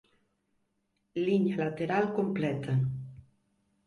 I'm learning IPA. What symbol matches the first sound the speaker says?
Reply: l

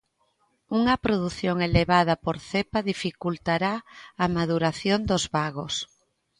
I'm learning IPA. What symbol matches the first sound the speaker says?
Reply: u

